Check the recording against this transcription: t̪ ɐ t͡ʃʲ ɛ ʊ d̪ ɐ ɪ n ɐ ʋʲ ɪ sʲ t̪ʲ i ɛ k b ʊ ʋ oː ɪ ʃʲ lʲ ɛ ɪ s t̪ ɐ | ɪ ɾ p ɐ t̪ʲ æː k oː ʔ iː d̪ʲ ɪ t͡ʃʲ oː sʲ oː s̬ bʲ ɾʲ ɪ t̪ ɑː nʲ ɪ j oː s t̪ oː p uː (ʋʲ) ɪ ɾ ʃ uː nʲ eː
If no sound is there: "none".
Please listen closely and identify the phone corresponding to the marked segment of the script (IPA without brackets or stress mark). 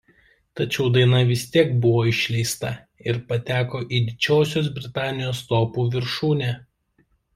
ʋʲ